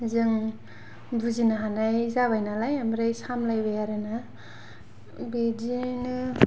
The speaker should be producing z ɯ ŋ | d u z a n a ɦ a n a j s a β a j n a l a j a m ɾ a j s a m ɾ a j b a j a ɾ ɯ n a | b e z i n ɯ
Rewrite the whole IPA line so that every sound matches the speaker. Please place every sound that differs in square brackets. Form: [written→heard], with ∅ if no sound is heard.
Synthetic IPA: z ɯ ŋ | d u z [a→i] n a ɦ a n a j [s→z] a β a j n a l a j a m ɾ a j s a m [ɾ→l] a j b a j a ɾ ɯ n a | b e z i n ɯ